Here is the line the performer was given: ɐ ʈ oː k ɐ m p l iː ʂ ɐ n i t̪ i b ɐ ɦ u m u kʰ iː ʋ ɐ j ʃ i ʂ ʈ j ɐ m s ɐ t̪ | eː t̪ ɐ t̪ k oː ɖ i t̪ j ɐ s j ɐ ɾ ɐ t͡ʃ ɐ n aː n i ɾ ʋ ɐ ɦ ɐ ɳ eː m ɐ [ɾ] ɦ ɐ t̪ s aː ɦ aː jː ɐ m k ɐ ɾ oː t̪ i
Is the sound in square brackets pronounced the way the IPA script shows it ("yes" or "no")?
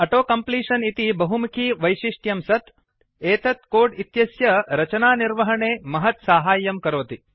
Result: no